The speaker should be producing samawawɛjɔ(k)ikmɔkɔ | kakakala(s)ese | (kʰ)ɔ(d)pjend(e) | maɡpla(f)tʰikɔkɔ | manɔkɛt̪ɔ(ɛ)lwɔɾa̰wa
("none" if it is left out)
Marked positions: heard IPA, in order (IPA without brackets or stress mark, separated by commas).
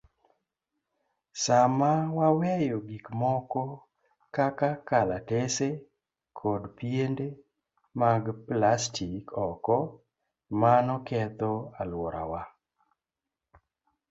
ɡ, t, kʰ, d, e, s, a